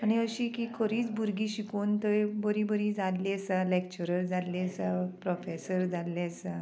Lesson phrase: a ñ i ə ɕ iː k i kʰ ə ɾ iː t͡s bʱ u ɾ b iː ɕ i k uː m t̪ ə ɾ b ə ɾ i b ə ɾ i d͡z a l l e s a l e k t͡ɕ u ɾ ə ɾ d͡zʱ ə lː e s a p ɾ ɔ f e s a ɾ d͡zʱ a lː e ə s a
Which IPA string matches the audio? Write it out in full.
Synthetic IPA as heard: a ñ i ə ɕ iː k i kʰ ə ɾ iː t͡s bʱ u ɾ ɡ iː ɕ i k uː n t̪ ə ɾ b ə ɾ i b ə ɾ i d͡z a l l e s a l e k t͡ɕ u ɾ ə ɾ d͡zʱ a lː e s a p ɾ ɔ f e s ə ɾ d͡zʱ a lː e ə s a